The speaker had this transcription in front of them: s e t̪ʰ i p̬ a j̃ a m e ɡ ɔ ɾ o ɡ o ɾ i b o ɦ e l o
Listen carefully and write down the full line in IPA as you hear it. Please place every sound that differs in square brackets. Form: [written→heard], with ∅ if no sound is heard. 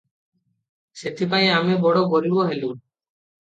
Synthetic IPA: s e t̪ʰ i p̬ a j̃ a m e [ɡ→b] ɔ [ɾ→ɽ] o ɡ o ɾ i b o ɦ e l [o→u]